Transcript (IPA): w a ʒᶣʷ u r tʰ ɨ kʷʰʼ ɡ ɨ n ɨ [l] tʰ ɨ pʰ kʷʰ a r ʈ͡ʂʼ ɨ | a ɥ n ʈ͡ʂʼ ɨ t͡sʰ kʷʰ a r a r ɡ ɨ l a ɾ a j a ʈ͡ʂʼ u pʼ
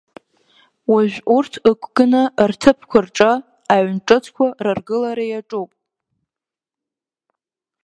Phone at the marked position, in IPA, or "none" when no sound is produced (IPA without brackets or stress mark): r